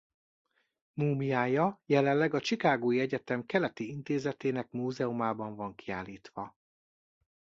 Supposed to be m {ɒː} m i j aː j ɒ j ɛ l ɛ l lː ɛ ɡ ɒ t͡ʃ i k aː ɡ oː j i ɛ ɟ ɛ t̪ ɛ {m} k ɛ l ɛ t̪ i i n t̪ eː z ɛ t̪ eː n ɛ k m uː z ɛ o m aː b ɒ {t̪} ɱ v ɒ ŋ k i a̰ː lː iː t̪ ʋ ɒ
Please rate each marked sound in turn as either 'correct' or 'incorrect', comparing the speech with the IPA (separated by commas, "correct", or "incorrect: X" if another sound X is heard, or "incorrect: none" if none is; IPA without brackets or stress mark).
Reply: incorrect: uː, correct, incorrect: none